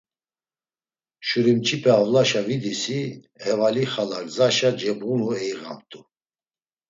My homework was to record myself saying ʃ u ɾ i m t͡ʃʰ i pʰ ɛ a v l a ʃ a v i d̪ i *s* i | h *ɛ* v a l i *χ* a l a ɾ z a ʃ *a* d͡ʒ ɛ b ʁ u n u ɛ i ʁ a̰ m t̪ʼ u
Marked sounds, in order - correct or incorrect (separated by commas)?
correct, correct, correct, correct